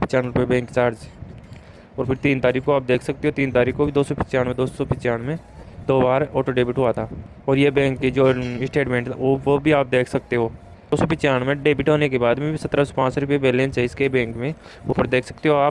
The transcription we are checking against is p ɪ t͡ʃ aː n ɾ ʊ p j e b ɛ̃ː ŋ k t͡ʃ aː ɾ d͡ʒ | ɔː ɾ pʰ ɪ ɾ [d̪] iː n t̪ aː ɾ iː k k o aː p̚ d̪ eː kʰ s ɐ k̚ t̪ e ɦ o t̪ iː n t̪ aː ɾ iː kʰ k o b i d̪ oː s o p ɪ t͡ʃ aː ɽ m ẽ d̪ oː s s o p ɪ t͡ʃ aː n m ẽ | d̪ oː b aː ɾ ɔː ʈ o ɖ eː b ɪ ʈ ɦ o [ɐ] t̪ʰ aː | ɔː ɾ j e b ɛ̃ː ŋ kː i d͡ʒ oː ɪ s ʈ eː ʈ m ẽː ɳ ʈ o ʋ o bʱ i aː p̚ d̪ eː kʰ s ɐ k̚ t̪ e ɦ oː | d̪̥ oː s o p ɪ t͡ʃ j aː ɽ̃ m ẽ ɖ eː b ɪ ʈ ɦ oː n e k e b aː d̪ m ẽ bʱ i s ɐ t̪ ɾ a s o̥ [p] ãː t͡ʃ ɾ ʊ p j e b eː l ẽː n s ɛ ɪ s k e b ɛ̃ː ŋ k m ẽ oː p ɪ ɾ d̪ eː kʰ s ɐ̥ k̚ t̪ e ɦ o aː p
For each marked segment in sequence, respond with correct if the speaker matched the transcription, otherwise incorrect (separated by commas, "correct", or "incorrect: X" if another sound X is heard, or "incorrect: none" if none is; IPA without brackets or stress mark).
incorrect: t̪, incorrect: a, correct